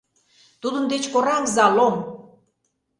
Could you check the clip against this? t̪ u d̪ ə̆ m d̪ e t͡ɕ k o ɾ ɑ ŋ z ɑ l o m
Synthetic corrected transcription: t̪ u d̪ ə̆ n d̪ e t͡ɕ k o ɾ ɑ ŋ z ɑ l o m